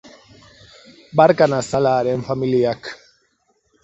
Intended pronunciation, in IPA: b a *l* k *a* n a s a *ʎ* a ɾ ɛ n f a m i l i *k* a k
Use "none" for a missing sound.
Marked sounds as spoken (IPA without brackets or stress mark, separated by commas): ɾ, a, l, none